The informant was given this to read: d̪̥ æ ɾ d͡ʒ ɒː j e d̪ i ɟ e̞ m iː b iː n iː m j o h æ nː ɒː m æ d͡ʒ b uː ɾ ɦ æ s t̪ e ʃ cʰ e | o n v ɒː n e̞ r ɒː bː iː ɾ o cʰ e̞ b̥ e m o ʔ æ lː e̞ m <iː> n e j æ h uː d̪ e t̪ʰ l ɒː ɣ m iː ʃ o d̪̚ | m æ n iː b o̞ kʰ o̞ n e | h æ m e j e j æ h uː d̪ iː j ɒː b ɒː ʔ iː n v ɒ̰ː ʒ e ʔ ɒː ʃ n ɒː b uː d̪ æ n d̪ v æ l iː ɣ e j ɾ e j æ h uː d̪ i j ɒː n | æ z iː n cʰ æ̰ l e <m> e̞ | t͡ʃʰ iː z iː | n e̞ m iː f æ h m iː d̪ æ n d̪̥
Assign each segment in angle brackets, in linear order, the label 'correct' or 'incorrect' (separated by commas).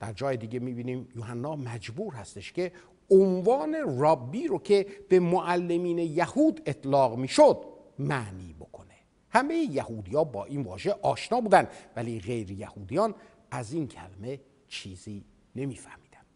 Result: correct, correct